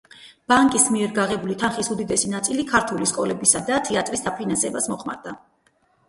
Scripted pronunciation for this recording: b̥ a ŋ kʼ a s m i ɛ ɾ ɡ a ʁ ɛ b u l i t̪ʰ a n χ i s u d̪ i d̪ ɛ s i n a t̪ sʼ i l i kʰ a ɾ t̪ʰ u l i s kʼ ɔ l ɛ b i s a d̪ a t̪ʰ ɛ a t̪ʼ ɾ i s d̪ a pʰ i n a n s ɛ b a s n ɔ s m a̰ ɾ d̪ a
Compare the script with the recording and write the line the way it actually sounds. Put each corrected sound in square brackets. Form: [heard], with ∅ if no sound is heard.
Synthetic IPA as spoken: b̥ a ŋ kʼ [i] s m i ɛ ɾ ɡ a ʁ ɛ b u l i t̪ʰ a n χ i s u d̪ i d̪ ɛ s i n a t̪ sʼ i l i kʰ a ɾ t̪ʰ u l i s kʼ ɔ l ɛ b i s a d̪ a t̪ʰ ɛ a t̪ʼ ɾ i s d̪ a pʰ i n a n s ɛ b a s [m] ɔ [χ] m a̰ ɾ d̪ a